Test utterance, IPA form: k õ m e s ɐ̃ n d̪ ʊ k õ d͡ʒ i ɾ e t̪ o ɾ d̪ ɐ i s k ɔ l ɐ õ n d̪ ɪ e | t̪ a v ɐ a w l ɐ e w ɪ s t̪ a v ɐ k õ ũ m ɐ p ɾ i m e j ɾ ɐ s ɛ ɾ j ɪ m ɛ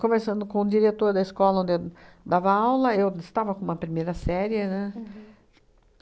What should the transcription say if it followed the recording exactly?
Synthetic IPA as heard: k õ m e s ɐ̃ n d̪ ʊ k õ d͡ʒ i ɾ e t̪ o ɾ d̪ ɐ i s k ɔ l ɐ õ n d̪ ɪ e | d̪ a v ɐ a w l ɐ e w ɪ s t̪ a v ɐ k õ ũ m ɐ p ɾ i m e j ɾ ɐ s ɛ ɾ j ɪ n ɛ